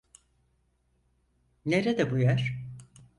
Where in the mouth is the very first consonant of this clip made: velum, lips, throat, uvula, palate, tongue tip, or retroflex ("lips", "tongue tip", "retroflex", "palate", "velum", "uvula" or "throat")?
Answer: tongue tip